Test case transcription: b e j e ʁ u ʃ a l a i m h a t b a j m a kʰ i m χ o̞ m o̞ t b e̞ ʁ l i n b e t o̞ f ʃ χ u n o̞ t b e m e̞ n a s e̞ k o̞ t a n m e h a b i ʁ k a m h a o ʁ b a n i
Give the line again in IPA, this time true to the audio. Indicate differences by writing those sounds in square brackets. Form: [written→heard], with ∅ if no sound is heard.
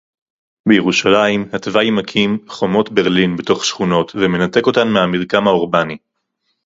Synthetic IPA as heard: b e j e ʁ u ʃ a l a i m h a t [b→v] a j m a kʰ i m χ o̞ m o̞ t b e̞ ʁ l i n b e t o̞ [f→χ] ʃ χ u n o̞ t [b→v] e m e̞ n a [s→t] e̞ k o̞ t a n m e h a [b→m] i ʁ k a m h a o ʁ b a n i